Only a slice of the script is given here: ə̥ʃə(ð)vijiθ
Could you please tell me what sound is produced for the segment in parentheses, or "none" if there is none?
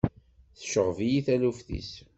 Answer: ʁ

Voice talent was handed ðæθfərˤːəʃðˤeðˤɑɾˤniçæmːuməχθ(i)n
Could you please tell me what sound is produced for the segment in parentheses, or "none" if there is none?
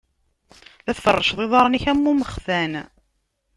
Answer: æ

